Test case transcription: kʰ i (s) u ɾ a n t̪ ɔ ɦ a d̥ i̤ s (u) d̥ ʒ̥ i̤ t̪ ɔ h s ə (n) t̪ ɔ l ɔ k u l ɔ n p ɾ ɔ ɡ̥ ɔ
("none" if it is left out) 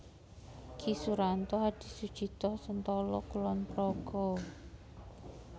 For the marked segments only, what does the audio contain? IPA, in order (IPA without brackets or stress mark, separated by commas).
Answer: s, u, n